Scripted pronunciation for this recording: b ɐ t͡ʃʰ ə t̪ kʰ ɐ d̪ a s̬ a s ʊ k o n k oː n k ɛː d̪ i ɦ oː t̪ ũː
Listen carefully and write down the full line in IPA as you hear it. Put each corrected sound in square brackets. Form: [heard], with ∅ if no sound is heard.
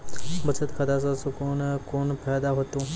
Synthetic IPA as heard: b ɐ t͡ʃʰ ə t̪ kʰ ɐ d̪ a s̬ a s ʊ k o n k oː n [p] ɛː d̪ [a] ɦ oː t̪ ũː

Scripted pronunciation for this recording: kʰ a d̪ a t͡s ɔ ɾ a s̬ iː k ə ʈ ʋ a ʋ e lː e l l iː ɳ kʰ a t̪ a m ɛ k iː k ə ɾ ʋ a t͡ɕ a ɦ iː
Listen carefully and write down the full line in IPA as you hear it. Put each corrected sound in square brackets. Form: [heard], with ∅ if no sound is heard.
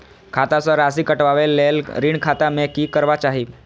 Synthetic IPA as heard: kʰ a [t̪] a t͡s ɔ ɾ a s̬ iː k ə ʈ ʋ a ʋ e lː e l [ɾ] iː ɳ kʰ a t̪ a m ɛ k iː k ə ɾ ʋ a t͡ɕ a ɦ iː

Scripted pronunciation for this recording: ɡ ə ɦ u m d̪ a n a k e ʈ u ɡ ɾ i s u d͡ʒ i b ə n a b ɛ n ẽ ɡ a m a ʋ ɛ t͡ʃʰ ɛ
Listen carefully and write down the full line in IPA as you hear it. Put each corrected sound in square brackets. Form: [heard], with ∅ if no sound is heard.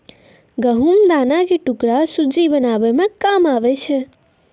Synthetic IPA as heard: ɡ ə ɦ u m d̪ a n a k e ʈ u [k] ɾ [a] s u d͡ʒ i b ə n a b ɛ [m] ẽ [k] a m a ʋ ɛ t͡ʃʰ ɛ

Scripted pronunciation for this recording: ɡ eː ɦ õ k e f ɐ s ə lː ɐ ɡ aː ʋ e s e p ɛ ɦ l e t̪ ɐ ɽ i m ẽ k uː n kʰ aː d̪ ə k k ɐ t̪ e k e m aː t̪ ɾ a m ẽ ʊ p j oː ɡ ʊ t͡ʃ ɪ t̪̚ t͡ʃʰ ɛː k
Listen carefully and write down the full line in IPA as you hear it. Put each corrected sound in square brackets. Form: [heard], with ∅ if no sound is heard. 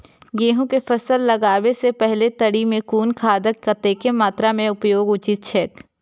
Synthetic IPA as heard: ɡ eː ɦ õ k e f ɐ s ə lː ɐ ɡ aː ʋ e s e p ɛ ɦ l e t̪ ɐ ɽ i m ẽ k uː n kʰ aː d̪ ə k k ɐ t̪ e k e m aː t̪ ɾ a m ẽ ʊ p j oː ɡ ʊ t͡ʃ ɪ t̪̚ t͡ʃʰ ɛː k

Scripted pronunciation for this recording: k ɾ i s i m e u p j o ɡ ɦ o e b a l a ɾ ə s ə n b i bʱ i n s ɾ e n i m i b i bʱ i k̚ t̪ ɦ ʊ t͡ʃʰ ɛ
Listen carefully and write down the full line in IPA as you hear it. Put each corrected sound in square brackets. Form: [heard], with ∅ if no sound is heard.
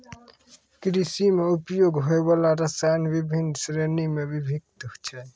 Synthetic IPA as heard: k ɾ i s i m e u p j o ɡ ɦ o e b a l a ɾ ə s [a] n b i bʱ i n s ɾ e n i m [e] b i bʱ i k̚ t̪ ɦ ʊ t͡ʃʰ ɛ

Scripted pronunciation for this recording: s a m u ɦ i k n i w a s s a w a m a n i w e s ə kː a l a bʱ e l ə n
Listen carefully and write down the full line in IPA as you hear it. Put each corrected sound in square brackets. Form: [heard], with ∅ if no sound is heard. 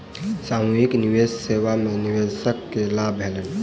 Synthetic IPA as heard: s a m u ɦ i k n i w [e] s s [e] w a m [e] n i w e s ə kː [e] l a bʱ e l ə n

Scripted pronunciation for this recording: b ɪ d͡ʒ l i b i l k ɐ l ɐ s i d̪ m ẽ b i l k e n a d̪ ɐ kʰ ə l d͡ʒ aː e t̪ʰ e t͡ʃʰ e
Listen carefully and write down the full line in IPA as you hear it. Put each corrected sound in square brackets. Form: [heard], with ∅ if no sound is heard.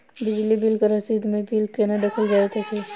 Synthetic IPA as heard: b ɪ d͡ʒ l i b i l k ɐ [ɾ] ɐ s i d̪ m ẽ b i l k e n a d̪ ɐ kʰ ə l d͡ʒ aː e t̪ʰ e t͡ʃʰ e

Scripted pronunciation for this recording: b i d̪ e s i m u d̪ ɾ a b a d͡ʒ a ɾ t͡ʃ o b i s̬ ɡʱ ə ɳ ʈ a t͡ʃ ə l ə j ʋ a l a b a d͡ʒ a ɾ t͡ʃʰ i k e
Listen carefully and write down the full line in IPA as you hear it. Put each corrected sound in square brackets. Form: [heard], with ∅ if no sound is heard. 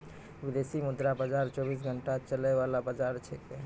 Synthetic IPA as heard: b i d̪ e s i m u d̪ ɾ a b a d͡ʒ a ɾ t͡ʃ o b i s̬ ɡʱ ə ɳ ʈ a t͡ʃ ə l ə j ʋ a l a b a d͡ʒ a ɾ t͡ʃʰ [ɛ] k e

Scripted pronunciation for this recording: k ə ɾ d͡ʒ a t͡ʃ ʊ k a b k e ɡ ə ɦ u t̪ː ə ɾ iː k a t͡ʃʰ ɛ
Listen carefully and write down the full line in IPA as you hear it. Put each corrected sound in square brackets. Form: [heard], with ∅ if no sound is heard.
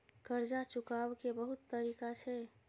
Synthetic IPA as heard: k ə ɾ d͡ʒ a t͡ʃ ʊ k a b k e [b] ə ɦ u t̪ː ə ɾ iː k a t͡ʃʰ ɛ

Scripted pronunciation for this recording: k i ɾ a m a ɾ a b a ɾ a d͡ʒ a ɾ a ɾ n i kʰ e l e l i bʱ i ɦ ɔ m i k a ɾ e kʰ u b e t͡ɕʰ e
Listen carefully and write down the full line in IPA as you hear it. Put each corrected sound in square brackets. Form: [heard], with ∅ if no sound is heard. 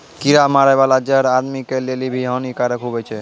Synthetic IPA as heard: k i ɾ a m a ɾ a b a [l] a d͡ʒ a ɾ a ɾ [m] i [k] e l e l i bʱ i ɦ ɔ [n] i k a ɾ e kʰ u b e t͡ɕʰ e

